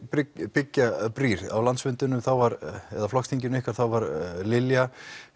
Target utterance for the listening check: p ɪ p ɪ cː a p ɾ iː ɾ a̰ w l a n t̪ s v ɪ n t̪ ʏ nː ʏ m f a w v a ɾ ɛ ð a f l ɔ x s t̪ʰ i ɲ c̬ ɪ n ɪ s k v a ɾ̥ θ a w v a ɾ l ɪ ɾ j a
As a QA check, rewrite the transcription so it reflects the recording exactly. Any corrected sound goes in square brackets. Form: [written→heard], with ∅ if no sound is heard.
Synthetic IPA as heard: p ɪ p ɪ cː a p ɾ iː ɾ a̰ w l a n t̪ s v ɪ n t̪ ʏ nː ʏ m [f→θ] a w v a ɾ ɛ ð a f l ɔ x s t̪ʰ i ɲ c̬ ɪ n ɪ [s→h] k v a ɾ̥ θ a w v a ɾ l ɪ [ɾ→l] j a